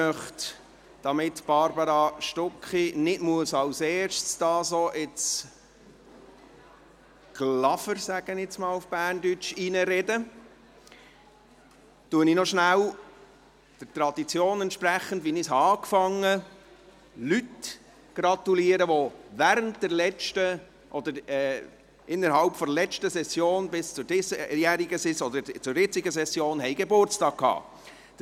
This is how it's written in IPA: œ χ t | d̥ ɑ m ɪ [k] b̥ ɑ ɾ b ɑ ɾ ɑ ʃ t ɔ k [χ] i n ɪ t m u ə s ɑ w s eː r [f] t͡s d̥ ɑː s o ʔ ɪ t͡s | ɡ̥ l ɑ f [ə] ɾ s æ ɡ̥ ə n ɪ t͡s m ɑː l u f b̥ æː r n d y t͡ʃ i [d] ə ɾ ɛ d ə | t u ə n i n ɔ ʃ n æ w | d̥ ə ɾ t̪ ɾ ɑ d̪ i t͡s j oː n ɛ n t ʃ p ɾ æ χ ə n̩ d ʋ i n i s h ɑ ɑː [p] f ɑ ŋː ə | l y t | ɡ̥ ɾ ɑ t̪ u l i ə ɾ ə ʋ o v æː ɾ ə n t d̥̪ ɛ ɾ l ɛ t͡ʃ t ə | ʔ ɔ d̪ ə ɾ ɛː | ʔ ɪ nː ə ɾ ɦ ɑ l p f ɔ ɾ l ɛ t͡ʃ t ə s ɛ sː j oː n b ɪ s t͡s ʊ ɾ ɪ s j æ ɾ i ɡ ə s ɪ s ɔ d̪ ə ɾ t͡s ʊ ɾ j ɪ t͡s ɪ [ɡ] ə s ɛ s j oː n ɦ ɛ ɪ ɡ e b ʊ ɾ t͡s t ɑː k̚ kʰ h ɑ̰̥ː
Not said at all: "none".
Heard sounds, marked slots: t, χ, ʃ, ə, n, k, ɡ

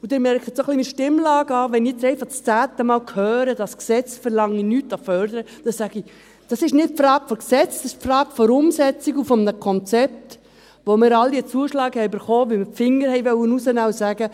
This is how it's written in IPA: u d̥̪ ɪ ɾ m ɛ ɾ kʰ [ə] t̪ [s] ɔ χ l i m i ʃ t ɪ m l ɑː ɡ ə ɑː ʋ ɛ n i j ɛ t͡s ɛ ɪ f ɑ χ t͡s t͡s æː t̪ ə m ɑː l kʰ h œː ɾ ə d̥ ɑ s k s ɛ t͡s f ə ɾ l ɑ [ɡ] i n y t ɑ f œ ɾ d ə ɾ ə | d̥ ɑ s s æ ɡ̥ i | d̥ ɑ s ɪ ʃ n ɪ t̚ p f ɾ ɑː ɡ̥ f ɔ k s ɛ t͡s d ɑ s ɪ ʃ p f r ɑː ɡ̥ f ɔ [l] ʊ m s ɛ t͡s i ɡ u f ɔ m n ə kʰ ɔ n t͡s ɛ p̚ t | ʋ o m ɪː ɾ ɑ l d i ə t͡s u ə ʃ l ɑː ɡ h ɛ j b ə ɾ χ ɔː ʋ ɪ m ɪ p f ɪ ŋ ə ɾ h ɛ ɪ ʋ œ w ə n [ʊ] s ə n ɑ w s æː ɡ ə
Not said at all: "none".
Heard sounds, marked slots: ə, s, ŋ, ɾ, u

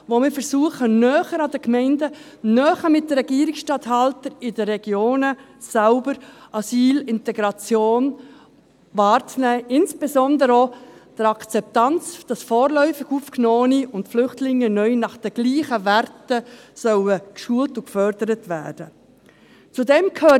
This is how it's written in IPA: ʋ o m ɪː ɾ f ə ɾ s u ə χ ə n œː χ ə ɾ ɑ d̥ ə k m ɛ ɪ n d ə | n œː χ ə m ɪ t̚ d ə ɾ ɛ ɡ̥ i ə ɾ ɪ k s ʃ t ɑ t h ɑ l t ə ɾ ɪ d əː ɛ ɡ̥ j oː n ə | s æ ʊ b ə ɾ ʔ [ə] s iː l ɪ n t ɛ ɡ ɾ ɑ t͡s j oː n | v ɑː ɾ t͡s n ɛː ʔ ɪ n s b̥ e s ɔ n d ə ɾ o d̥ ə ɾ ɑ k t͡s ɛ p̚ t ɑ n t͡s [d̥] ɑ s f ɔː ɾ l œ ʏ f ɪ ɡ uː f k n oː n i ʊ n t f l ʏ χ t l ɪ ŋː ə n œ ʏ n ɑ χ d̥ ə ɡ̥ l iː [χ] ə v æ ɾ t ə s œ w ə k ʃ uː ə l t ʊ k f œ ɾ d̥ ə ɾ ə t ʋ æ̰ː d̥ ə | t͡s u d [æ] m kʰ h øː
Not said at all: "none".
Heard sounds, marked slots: ɑ, d̥, χ, ɛ

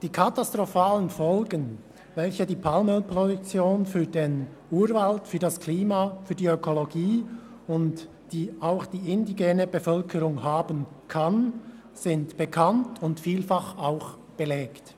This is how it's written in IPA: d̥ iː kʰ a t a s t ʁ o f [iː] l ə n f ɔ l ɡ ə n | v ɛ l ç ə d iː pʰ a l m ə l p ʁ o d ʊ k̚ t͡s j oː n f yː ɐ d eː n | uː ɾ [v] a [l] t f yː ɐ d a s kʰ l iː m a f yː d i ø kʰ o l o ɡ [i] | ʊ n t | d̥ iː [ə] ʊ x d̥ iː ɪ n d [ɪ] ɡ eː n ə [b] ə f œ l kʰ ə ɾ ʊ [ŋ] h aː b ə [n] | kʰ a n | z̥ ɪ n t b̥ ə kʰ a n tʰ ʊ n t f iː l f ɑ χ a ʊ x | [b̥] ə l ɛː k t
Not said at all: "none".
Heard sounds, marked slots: aː, v, l, iː, a, i, b, ŋ, n, b̥

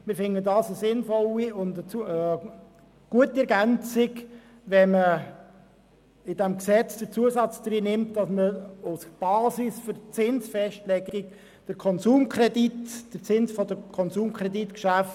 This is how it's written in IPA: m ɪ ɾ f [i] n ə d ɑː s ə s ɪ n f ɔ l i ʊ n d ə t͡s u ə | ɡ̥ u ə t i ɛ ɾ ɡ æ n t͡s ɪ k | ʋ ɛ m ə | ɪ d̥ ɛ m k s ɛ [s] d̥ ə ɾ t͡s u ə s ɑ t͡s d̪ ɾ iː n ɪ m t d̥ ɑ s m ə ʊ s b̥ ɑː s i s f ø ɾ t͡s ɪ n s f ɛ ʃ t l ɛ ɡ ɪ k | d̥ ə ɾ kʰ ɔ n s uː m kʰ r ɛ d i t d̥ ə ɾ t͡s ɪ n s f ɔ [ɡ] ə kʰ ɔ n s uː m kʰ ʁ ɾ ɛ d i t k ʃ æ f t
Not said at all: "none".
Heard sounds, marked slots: ɪ, t͡s, d

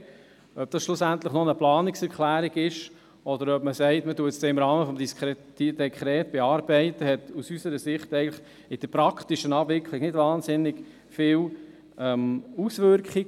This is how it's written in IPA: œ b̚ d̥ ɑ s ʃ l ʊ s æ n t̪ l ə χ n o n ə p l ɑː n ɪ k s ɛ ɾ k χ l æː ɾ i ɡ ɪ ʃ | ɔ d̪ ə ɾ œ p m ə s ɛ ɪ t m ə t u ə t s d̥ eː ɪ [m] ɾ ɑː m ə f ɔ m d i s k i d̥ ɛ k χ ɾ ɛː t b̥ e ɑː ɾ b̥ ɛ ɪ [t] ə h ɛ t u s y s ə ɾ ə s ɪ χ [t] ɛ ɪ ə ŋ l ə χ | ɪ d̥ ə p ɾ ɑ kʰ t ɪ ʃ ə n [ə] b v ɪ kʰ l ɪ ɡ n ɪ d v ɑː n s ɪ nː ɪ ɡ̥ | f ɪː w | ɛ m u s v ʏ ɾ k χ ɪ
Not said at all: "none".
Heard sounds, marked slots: m, t, t, ɑ

